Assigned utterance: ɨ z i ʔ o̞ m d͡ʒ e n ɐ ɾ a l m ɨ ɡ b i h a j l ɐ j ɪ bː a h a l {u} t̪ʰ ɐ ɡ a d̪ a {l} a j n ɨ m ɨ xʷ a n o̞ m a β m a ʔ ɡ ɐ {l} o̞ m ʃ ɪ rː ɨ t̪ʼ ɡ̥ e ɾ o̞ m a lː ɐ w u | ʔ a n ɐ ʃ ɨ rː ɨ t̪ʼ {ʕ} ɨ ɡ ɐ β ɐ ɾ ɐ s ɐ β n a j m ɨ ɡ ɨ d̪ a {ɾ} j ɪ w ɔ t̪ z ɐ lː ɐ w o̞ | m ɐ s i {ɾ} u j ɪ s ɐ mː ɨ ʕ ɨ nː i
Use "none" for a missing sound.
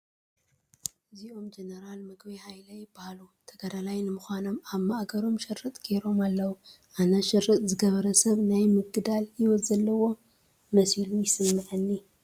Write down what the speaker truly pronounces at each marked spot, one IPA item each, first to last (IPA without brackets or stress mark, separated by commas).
u, l, ɾ, z, l, l